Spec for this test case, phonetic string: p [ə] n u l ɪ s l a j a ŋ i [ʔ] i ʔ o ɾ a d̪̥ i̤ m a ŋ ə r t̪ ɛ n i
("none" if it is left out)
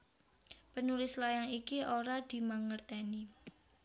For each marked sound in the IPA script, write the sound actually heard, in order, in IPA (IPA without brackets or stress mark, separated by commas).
ə, k